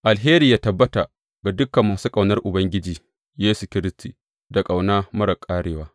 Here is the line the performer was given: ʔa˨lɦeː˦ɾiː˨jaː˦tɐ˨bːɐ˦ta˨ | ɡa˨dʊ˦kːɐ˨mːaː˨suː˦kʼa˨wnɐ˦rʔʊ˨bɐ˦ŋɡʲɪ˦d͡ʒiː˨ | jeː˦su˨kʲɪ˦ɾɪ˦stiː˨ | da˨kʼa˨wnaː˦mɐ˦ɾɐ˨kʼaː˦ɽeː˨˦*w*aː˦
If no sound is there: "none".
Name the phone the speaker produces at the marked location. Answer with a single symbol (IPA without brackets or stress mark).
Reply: w